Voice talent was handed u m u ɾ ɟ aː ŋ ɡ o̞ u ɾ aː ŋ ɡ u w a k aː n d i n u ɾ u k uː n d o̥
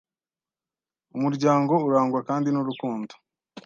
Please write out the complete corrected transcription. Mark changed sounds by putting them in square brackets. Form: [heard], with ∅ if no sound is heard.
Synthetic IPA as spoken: u m u ɾ ɟ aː ŋ ɡ o̞ u ɾ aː ŋ ɡ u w a k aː n d i n u ɾ u k uː n d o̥

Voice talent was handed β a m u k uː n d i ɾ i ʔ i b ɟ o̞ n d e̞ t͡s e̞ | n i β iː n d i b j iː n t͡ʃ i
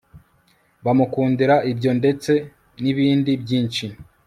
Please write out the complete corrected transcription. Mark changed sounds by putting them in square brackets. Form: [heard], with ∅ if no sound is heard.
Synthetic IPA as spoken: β a m u k uː n d i ɾ [a] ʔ i b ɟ o̞ n d e̞ t͡s e̞ | n i β iː n d i b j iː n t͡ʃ i

